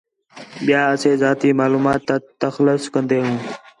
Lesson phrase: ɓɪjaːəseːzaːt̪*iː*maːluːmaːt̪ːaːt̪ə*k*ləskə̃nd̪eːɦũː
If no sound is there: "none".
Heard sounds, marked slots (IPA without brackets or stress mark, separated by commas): iː, x